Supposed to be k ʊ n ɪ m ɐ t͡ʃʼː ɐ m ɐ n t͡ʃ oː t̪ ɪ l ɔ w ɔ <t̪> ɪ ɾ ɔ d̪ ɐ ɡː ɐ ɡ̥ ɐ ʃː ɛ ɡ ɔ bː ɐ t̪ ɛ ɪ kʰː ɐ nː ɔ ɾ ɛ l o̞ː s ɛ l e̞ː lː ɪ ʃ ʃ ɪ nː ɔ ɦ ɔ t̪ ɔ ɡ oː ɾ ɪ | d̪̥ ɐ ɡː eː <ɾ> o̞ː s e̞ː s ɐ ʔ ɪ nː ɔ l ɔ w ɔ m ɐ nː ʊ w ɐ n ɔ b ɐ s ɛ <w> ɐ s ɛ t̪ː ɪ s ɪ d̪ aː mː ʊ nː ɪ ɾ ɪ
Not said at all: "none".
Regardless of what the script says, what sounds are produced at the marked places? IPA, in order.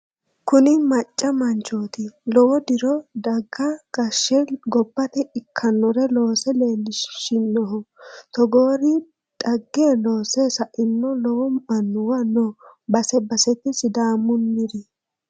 d̪, l, b

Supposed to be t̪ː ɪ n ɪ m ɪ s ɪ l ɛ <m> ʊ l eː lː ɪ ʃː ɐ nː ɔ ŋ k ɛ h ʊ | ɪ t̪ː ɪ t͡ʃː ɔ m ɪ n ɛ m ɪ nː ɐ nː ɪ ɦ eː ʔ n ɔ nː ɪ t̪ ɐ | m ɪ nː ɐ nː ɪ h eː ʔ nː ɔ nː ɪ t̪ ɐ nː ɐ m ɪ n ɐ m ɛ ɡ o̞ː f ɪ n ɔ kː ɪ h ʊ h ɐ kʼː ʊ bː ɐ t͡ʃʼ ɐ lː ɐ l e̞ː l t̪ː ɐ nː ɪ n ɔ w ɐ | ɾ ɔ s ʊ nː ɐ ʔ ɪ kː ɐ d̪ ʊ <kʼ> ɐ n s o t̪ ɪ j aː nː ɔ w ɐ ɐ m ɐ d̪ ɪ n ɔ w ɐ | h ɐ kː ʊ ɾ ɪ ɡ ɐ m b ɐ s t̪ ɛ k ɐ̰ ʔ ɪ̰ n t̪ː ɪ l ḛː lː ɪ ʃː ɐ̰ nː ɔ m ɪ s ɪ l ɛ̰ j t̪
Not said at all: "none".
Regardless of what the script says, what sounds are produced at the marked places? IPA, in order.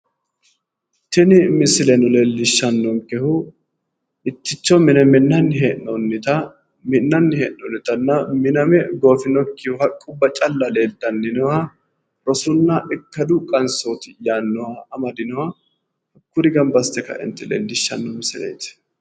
n, kʼ

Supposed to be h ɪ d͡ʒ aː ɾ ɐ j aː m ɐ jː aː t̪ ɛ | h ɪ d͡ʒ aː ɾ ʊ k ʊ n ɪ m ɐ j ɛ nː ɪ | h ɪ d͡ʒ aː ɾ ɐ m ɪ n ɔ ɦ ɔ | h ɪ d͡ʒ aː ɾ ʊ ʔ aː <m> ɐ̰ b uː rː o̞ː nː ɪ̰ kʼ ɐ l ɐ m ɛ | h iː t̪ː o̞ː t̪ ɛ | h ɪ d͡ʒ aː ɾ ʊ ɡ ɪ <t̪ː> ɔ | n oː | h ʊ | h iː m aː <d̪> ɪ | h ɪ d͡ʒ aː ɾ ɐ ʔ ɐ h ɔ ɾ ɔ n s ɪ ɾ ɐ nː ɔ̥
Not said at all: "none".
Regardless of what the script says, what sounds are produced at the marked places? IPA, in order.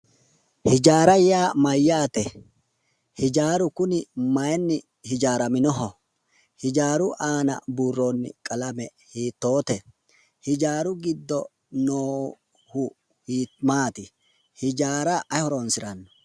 n, d̪ː, t̪

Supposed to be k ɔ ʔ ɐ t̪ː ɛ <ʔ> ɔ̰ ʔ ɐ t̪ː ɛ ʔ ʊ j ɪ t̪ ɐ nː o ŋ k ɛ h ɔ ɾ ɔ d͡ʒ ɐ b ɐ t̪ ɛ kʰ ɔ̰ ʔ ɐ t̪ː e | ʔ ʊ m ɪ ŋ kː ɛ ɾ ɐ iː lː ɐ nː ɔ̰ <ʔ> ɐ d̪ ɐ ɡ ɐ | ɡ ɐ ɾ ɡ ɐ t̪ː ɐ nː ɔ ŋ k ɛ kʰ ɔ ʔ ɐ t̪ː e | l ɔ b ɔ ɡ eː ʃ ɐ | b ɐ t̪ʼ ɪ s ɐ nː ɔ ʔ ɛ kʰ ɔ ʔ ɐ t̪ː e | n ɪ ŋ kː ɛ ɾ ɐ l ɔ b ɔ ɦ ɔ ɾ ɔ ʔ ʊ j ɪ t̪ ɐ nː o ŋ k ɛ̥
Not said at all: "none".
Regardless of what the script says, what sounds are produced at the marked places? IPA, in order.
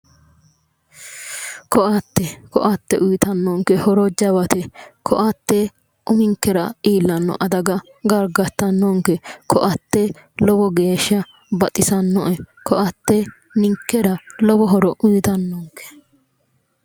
k, ʔ

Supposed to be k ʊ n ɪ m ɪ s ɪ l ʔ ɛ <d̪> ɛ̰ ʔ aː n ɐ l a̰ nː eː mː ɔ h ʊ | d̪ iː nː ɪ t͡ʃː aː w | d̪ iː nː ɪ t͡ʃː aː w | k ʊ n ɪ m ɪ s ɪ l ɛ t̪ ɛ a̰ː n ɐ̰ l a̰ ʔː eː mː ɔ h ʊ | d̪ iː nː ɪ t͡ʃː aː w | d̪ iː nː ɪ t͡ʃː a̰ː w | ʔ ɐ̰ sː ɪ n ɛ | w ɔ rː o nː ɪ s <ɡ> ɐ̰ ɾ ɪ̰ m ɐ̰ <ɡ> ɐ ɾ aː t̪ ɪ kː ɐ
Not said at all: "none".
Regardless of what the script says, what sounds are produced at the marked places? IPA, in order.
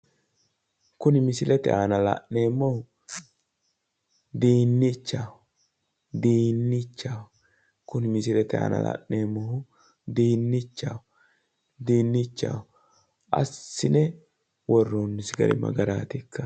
t̪, ɡ, ɡ

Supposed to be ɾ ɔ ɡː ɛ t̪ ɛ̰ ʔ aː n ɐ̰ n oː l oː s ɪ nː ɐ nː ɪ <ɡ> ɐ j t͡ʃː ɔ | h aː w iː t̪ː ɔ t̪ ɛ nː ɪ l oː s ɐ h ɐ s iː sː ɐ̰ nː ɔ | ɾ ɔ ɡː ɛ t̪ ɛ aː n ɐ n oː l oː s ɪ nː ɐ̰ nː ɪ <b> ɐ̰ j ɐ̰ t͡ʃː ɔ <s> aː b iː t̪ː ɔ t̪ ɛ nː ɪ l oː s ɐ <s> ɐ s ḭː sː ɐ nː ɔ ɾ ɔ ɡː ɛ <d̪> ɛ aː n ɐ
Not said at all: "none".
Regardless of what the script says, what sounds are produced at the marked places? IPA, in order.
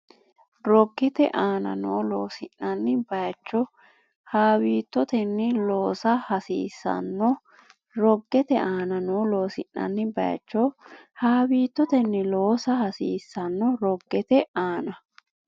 b, b, h, h, t̪

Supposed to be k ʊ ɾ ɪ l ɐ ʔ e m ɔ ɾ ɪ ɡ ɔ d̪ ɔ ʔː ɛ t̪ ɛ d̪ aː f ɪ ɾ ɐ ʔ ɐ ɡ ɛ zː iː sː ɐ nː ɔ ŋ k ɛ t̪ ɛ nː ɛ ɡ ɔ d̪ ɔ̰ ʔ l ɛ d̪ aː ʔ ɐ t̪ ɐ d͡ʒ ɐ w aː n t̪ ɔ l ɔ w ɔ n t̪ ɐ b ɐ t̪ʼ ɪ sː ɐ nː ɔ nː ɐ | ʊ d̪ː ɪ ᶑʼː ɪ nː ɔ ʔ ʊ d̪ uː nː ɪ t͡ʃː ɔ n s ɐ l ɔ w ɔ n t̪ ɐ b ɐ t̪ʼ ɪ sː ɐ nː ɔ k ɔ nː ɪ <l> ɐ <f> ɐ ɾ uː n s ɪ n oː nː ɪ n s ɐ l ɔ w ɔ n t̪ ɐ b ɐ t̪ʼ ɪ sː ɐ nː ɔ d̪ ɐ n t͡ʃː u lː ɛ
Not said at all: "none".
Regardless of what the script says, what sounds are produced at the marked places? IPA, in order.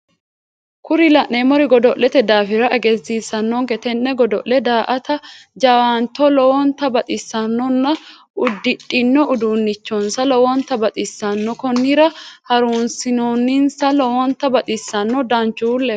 ɾ, h

